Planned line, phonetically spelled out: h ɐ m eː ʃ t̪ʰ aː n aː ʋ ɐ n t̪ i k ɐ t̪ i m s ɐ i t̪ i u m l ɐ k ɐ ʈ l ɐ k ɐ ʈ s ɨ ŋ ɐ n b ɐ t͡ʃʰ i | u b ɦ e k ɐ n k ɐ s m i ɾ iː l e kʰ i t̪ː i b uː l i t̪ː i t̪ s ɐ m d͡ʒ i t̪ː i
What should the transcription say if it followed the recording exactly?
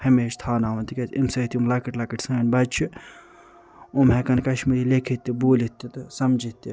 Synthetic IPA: h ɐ m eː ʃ t̪ʰ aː n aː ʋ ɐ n t̪ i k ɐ t̪ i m s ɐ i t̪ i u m l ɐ k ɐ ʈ l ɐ k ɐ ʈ s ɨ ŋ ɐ n b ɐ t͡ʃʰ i | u m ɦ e k ɐ n k ɐ ʃ m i ɾ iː l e kʰ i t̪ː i b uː l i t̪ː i t̪ s ɐ m d͡ʒ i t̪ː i

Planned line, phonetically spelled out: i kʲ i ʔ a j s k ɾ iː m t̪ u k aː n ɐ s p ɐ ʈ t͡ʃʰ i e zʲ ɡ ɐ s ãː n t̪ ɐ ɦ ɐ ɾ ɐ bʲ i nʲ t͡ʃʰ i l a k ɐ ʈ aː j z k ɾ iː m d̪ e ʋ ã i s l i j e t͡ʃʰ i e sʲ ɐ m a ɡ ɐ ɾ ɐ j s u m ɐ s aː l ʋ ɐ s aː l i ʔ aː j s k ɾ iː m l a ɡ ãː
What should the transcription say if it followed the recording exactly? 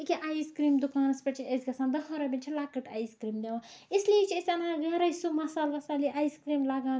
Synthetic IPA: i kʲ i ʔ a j s k ɾ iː m d̪ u k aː n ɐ s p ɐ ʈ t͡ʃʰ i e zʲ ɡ ɐ s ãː n d̪ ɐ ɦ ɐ ɾ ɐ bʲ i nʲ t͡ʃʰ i l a k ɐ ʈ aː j s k ɾ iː m d̪ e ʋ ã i s l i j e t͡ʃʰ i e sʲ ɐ n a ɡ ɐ ɾ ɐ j s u m ɐ s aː l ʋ ɐ s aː l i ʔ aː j s k ɾ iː m l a ɡ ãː

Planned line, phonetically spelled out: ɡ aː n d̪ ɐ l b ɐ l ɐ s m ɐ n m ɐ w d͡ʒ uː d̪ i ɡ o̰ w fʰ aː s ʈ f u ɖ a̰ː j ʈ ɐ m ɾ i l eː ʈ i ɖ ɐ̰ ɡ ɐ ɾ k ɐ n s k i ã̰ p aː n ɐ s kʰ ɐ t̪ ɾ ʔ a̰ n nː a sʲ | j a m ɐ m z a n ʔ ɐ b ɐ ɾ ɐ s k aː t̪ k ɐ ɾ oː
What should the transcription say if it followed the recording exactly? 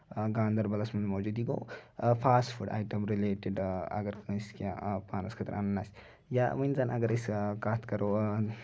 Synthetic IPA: ɡ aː n d̪ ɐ ɾ b ɐ l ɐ s m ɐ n m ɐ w d͡ʒ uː d̪ i ɡ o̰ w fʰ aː s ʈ f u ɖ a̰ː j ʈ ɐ m ɾ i l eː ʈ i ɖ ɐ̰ ɡ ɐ ɾ k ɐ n s k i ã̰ p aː n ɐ s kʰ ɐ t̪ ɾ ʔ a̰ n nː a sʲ | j a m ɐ n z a n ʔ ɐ ɡ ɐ ɾ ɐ s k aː t̪ k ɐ ɾ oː

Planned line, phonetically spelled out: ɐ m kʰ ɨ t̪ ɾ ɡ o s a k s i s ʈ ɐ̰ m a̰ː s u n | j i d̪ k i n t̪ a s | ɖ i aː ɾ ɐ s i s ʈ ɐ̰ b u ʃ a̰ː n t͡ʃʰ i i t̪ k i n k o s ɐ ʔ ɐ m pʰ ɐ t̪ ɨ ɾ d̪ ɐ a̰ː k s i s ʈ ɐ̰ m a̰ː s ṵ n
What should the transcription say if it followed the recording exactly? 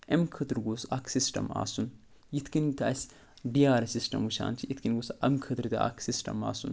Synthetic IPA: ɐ m kʰ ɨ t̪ ɾ ɡ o s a k s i s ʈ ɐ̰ m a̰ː s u n | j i t̪ k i n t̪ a s | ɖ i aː ɾ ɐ s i s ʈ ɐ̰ m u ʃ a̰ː n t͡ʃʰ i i t̪ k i n ɡ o s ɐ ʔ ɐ m kʰ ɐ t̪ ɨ ɾ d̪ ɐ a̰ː k s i s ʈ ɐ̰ m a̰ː s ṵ n

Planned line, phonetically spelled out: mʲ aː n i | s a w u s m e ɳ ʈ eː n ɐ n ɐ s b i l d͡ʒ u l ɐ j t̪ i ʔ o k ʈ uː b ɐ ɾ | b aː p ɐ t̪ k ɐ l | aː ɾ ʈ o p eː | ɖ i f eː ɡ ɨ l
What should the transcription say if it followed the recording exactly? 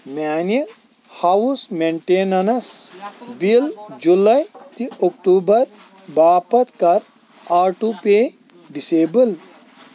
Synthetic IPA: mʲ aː n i | h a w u s m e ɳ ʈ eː n ɐ n ɐ s b i l d͡ʒ u l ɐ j t̪ i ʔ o k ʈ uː b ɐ ɾ | b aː p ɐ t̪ k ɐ ɾ | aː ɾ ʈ u p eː | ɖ i s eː b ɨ l

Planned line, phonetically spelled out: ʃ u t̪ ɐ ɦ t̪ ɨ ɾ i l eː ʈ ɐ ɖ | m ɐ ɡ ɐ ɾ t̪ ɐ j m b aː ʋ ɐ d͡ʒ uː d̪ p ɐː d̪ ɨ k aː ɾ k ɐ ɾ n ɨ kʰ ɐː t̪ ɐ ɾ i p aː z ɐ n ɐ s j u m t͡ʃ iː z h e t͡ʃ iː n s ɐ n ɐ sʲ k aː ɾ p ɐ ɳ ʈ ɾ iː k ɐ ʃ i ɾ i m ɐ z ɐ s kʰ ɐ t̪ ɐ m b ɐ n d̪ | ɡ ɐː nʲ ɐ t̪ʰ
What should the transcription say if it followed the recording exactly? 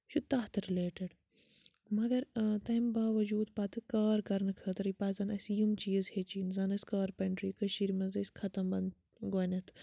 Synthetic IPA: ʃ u t̪ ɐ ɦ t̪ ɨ ɾ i l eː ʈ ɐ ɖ | m ɐ ɡ ɐ ɾ t̪ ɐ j m b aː ʋ ɐ d͡ʒ uː d̪ p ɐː t̪ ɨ k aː ɾ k ɐ ɾ n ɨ kʰ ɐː t̪ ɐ ɾ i p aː z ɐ n ɐ s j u m t͡ʃ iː z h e t͡ʃ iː n z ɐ n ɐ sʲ k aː ɾ p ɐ ɳ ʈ ɾ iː k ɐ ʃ i ɾ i m ɐ z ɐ s kʰ ɐ t̪ ɐ m b ɐ n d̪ | ɡ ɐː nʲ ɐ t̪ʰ

